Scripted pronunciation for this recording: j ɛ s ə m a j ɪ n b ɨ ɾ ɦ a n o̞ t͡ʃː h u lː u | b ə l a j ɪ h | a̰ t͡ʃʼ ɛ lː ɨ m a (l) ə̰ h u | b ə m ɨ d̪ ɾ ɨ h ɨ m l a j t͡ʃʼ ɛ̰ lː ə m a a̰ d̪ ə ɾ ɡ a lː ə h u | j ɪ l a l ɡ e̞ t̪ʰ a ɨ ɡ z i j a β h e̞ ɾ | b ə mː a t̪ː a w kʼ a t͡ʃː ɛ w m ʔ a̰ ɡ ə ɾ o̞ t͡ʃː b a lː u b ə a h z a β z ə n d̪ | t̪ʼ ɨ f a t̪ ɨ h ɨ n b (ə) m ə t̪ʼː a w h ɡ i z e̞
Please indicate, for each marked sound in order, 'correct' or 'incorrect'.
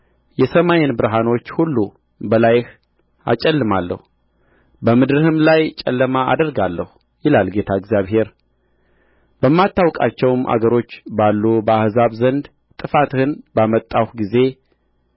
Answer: incorrect, incorrect

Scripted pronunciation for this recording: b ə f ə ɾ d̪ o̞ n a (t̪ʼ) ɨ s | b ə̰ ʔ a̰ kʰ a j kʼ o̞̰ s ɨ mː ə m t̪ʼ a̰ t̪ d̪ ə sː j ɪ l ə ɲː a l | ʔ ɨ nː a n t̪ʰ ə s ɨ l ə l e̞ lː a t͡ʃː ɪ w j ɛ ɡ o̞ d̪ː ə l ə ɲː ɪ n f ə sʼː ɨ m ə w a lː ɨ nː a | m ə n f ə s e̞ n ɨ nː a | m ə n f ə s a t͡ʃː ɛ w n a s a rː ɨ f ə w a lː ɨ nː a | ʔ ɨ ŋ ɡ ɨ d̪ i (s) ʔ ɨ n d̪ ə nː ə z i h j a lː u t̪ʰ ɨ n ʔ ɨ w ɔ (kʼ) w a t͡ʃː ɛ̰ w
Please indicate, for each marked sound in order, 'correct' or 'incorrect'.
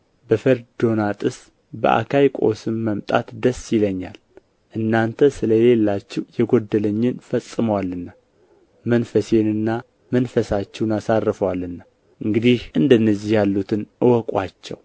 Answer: correct, incorrect, correct

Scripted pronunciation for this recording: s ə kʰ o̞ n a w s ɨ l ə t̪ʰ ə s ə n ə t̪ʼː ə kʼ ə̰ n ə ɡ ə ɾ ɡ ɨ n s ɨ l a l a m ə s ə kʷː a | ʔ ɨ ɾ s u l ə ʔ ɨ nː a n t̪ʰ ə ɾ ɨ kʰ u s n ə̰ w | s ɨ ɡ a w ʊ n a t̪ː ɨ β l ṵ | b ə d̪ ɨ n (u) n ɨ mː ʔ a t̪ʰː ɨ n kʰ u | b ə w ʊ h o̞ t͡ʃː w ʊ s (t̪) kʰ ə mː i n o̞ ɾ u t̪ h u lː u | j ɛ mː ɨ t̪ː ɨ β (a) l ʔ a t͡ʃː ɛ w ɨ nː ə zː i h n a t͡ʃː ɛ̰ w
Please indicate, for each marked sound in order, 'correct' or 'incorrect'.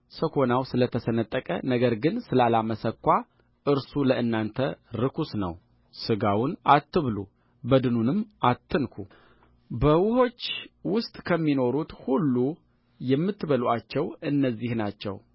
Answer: correct, incorrect, incorrect

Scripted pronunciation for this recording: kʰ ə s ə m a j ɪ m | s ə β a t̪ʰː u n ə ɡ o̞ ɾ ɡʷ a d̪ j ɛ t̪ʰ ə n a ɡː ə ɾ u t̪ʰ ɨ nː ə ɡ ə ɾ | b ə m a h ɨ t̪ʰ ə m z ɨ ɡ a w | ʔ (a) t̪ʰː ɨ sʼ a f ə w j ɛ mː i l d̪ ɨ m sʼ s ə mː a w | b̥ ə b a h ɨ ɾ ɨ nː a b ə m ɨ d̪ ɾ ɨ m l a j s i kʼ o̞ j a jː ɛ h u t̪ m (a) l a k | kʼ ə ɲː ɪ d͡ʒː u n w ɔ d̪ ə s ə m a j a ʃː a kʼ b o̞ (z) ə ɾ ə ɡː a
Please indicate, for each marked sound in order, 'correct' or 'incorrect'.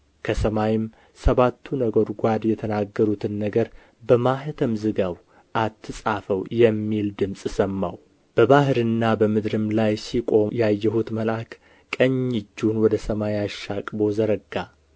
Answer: correct, incorrect, correct

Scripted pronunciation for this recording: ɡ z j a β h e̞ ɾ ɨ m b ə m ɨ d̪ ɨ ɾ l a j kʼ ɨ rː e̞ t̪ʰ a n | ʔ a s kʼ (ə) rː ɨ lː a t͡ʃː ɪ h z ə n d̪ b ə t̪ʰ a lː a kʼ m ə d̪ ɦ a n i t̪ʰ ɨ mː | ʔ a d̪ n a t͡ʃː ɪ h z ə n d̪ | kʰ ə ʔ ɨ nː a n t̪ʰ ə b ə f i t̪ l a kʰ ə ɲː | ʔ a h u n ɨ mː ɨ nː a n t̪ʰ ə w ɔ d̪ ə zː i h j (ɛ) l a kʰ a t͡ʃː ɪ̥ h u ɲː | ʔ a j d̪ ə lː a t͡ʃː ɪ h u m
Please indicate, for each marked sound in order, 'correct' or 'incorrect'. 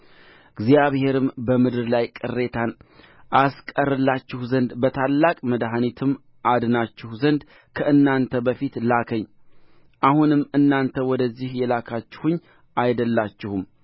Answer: correct, correct

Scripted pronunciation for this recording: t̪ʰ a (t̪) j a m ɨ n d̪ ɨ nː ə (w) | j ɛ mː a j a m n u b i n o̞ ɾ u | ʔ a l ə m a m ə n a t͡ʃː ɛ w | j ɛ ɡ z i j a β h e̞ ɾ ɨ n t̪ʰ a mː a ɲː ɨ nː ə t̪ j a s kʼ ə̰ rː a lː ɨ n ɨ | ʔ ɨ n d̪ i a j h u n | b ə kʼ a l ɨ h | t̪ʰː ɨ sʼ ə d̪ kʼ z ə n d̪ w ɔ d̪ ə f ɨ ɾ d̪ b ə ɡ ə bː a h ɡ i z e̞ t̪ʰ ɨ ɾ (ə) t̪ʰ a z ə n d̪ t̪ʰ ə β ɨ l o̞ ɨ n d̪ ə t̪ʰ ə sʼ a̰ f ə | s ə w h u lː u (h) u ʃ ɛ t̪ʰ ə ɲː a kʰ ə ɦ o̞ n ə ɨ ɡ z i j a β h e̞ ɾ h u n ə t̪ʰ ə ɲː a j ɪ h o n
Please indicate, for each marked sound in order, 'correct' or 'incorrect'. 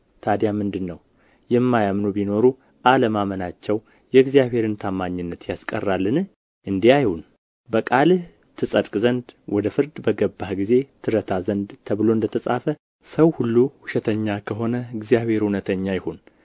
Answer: incorrect, correct, correct, correct

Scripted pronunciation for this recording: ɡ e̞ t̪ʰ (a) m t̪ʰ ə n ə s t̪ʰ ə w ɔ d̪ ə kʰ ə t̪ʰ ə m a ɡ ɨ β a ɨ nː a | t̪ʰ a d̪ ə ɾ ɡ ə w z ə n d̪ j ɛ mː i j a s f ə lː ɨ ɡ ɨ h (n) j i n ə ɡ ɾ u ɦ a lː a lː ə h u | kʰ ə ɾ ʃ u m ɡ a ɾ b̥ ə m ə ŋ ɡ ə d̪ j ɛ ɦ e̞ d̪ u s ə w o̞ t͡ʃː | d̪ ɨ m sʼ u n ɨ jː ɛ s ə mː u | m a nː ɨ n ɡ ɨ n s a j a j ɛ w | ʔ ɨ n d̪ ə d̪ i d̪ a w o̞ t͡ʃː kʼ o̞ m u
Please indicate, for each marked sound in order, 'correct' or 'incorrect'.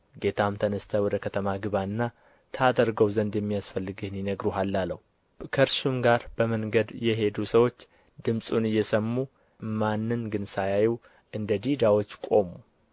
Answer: correct, correct

